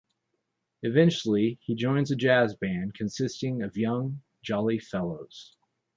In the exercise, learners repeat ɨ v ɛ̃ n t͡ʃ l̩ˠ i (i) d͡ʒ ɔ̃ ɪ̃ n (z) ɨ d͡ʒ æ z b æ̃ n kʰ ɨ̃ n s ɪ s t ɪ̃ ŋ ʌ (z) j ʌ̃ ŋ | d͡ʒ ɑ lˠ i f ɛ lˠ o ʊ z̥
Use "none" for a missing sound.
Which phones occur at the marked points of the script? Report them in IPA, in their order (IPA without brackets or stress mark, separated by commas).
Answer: i, z, v